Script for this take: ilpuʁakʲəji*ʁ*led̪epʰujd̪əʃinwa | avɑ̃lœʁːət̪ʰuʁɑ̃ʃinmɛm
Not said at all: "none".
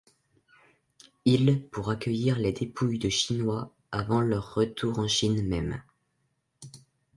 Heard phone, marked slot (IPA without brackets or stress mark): ʁ